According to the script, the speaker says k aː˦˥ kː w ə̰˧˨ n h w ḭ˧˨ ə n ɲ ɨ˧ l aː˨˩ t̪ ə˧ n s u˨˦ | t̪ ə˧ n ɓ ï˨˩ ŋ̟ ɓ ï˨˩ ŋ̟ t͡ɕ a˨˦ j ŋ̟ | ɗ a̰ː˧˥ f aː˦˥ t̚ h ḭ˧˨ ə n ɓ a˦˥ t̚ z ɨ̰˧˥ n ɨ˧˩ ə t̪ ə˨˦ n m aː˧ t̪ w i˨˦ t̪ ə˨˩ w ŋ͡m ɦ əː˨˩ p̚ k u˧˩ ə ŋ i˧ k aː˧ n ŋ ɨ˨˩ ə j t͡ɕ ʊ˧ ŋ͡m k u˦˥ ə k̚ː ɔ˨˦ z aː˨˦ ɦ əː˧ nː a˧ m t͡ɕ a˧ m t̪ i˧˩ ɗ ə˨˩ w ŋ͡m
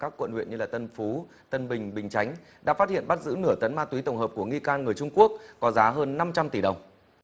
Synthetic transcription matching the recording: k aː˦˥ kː w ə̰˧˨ n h w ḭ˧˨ ə n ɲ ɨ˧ l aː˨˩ t̪ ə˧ n f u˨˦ | t̪ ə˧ n ɓ ï˨˩ ŋ̟ ɓ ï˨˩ ŋ̟ t͡ɕ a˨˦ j ŋ̟ | ɗ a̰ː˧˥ f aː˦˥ t̚ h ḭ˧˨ ə n ɓ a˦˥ t̚ z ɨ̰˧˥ n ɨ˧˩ ə t̪ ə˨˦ n m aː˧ t̪ w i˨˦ t̪ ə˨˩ w ŋ͡m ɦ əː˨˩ p̚ k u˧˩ ə ŋ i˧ k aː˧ n ŋ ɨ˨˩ ə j t͡ɕ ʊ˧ ŋ͡m k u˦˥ ə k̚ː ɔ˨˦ z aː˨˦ ɦ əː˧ nː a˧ m t͡ɕ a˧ m t̪ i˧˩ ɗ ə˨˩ w ŋ͡m